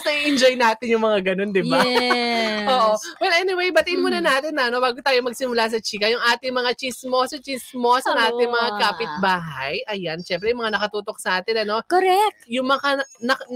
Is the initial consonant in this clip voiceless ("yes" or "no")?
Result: yes